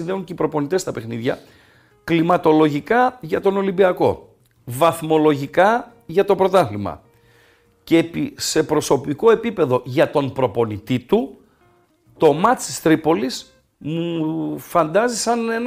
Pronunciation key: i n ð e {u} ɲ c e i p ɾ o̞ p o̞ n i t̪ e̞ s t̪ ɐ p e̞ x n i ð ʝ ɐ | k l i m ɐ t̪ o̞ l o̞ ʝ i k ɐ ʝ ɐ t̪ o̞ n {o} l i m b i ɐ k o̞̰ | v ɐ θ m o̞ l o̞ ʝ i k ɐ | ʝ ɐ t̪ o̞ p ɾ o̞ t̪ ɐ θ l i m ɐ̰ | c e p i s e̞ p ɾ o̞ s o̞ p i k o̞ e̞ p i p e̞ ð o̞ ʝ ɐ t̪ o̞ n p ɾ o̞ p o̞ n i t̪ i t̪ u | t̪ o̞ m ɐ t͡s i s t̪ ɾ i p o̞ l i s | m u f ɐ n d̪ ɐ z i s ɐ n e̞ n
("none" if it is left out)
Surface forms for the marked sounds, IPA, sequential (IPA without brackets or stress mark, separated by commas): u, o